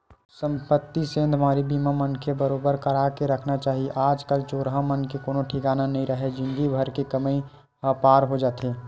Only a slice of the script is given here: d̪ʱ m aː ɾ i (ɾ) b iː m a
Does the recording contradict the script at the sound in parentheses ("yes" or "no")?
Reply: yes